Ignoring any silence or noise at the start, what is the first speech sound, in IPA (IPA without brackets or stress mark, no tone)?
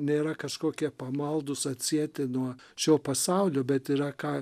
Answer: nʲ